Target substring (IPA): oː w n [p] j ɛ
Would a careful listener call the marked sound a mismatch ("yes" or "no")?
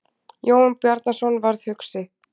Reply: no